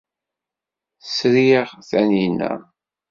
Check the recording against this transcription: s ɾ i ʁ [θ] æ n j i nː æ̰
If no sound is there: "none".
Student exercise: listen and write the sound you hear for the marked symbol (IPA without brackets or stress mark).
θ